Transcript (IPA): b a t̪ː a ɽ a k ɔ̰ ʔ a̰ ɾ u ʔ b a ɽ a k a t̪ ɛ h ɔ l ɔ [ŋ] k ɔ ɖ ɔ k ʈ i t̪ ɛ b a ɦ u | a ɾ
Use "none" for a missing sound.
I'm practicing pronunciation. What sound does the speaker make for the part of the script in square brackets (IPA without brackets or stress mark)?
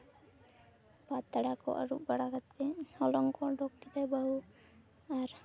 ŋ